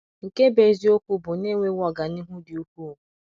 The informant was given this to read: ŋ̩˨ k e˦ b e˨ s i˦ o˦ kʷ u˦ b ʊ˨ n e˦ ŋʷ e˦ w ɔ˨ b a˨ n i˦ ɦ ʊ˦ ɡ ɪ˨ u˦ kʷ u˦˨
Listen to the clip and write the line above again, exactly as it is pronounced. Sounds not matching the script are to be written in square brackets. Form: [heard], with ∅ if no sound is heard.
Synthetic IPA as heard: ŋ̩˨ k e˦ b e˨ [z] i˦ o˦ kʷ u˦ b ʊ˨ n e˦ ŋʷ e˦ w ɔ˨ [ɡ] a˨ n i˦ ɦ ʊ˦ [d] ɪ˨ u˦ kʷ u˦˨